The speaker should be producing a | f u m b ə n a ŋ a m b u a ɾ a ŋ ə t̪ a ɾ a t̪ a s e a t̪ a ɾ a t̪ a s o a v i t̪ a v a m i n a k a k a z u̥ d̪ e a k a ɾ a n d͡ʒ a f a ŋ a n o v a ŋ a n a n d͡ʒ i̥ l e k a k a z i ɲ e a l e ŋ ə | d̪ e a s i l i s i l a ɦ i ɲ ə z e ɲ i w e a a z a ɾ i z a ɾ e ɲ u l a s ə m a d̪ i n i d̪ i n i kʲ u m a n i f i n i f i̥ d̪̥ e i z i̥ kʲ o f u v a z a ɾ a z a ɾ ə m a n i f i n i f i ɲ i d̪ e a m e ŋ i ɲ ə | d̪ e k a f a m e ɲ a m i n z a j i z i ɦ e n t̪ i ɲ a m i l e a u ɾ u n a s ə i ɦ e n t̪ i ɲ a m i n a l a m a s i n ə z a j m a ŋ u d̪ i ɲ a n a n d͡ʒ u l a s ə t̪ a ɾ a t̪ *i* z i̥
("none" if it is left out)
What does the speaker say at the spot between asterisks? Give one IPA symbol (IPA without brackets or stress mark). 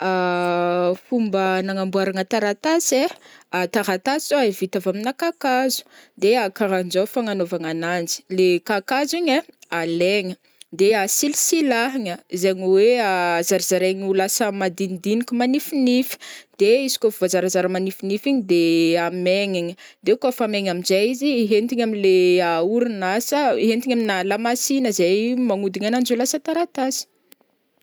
a